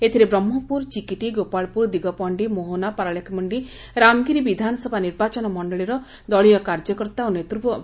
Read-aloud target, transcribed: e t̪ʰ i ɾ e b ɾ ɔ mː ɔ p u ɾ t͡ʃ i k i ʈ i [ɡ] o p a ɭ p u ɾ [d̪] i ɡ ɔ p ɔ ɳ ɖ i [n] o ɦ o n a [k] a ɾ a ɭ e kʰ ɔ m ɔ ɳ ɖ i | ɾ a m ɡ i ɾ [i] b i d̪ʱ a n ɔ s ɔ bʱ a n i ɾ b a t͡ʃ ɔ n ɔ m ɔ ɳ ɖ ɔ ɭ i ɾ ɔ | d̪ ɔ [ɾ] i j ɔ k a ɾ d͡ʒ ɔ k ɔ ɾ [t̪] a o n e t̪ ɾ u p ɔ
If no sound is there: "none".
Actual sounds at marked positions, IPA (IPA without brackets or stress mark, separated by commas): ɡ, d̪, m, p, i, ɭ, t̪